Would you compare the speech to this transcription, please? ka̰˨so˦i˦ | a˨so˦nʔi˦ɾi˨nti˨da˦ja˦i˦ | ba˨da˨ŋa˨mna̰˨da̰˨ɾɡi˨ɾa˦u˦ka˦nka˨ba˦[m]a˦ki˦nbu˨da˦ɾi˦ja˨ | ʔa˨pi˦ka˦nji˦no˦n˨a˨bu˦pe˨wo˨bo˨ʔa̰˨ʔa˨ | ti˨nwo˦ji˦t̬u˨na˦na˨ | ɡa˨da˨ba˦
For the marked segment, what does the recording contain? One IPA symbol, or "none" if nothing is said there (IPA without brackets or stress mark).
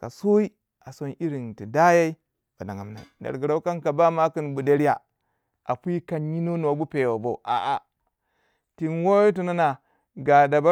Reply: m